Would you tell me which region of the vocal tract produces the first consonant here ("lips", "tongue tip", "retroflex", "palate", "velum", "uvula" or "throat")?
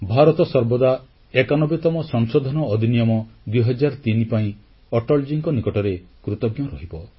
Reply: lips